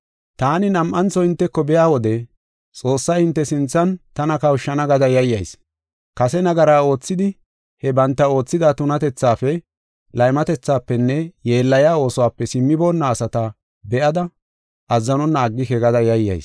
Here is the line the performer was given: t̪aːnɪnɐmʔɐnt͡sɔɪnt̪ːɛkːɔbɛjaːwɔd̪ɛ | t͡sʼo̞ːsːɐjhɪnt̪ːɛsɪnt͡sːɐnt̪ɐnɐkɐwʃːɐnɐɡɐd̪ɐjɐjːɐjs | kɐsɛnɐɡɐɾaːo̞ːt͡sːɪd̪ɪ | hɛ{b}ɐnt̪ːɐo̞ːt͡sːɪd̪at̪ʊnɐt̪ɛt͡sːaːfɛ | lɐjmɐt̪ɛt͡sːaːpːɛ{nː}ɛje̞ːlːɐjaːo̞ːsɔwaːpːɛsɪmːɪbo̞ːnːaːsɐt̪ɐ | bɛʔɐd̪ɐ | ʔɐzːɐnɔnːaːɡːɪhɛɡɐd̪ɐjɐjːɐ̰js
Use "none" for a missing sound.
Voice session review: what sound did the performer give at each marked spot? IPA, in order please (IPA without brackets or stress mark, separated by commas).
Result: b, nː